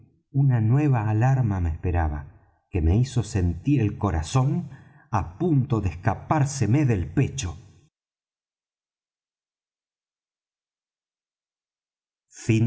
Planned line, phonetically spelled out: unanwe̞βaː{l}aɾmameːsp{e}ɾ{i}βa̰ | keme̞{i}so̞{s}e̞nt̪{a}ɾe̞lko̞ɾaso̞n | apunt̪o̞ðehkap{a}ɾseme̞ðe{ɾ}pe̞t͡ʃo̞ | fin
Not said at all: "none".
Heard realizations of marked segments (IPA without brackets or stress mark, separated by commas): l, e, a, i, s, i, a, l